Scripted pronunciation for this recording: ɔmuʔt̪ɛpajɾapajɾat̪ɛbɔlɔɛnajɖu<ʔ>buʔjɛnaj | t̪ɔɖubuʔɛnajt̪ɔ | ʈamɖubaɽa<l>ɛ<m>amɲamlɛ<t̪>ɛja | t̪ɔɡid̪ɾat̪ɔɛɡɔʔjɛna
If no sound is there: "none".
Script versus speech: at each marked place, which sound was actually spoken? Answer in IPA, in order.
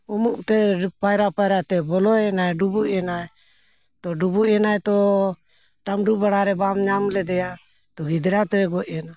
none, ɾ, b, d̪

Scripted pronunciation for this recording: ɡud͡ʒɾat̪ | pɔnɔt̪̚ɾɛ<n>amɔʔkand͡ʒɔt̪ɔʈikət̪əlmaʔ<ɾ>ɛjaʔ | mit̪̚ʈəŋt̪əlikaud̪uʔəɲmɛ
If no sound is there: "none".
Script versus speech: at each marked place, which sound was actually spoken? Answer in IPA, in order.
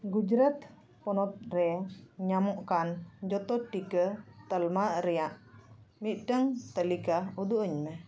ɲ, ɾ

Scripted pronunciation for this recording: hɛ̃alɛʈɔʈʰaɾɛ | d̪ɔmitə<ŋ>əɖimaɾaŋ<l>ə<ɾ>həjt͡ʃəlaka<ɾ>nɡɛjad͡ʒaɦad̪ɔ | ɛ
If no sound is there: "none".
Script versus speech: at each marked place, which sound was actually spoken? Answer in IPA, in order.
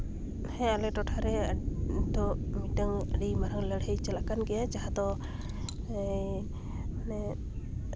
ŋ, l, ɽ, none

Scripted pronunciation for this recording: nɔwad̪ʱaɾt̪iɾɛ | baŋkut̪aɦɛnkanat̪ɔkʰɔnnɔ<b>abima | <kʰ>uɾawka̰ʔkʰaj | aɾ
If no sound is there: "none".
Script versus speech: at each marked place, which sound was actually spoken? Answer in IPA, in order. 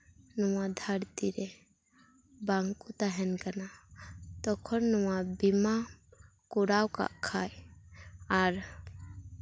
w, k

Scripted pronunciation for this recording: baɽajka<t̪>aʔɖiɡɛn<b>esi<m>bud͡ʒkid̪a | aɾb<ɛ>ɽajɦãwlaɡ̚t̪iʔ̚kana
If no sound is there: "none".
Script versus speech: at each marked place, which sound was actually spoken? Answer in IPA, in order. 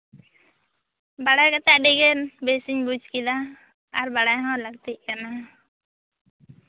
t̪, b, ɲ, a

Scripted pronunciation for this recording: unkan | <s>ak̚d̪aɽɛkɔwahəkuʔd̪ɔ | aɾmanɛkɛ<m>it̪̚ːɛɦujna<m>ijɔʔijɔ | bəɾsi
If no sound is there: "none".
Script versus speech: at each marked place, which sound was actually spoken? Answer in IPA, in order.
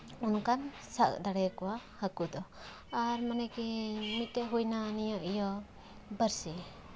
s, m, n

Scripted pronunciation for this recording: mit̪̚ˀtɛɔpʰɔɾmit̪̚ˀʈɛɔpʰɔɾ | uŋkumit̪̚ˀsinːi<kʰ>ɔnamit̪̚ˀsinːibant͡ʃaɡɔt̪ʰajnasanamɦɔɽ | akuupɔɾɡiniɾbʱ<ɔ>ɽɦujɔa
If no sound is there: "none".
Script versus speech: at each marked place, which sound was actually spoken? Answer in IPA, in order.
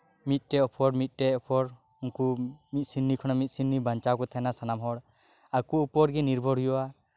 kʰ, ɔ

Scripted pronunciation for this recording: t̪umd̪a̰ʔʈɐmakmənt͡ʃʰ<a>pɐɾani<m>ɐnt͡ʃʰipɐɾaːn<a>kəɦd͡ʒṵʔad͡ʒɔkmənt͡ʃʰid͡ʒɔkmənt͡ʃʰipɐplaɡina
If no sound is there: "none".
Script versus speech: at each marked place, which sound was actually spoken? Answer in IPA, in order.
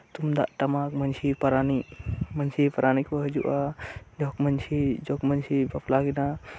i, m, i

